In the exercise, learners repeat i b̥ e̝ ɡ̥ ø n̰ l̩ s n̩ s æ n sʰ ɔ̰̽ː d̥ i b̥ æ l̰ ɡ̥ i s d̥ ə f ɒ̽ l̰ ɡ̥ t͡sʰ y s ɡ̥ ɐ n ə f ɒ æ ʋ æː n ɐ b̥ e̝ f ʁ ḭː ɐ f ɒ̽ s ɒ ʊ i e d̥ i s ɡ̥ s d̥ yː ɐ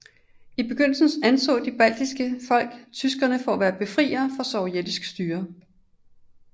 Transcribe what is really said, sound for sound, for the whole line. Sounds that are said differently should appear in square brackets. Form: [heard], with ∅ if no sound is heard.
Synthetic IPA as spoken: i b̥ e̝ ɡ̥ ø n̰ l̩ s n̩ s æ n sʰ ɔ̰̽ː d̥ i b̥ æ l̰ [d̥] i s [ɡ̥] ə f ɒ̽ l̰ ɡ̥ t͡sʰ y s ɡ̥ ɐ n ə f ɒ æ ʋ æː [∅] ɐ b̥ e̝ f ʁ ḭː ɐ f ɒ̽ s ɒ ʊ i e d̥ i s ɡ̥ s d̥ yː ɐ

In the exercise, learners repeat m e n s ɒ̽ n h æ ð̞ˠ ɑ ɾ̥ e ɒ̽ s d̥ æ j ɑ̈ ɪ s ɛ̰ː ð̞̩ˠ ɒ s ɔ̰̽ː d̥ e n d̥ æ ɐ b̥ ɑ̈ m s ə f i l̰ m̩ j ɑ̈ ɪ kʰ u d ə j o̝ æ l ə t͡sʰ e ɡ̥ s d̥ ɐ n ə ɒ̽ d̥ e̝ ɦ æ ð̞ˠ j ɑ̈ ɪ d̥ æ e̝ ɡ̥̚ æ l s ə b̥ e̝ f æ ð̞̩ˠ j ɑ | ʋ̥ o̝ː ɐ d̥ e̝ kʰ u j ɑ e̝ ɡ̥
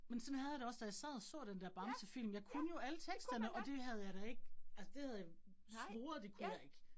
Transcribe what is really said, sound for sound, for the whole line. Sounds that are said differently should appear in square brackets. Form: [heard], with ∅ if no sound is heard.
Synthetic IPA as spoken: m e n s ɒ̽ n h æ ð̞ˠ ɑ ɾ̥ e ɒ̽ s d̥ æ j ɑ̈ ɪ s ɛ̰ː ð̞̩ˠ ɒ s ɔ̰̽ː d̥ e n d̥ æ ɐ b̥ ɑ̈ m s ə f i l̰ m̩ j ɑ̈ ɪ kʰ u [n] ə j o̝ æ l ə t͡sʰ e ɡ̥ s d̥ ɐ n ə ɒ̽ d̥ e̝ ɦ æ ð̞ˠ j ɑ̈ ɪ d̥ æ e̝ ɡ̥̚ æ l s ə [d̥] e̝ [h] æ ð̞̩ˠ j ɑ | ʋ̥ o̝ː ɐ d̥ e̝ kʰ u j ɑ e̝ ɡ̥

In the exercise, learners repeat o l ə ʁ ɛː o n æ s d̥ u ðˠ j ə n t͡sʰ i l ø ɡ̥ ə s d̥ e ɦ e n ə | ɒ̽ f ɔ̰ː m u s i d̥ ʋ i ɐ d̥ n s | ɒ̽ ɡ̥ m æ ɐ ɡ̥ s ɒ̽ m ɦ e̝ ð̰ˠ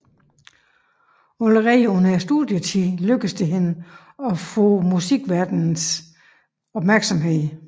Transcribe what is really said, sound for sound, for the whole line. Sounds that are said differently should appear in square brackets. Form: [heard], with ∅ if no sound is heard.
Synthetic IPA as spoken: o l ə ʁ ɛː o n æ s d̥ u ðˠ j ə [∅] t͡sʰ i l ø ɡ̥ ə s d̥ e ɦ e n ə | ɒ̽ f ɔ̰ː m u s i [ɡ̥] ʋ [æ] ɐ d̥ n s | ɒ̽ [b̥] m æ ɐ ɡ̥ s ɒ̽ m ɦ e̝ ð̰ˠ

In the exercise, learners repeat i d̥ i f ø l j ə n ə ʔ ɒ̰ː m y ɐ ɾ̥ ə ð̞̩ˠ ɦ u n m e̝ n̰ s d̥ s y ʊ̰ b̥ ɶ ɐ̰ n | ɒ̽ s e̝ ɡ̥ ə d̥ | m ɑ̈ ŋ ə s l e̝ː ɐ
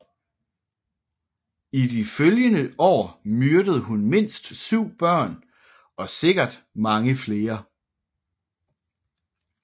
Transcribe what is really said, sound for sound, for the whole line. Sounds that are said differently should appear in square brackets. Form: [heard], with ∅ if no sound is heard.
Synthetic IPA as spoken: i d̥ i f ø l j ə n ə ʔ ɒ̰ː m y ɐ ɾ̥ ə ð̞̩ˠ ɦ u n m e̝ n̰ s d̥ s y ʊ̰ b̥ ɶ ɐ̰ n | ɒ̽ s e̝ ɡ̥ [ɐ] d̥ | m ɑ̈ ŋ ə [f] l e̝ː ɐ

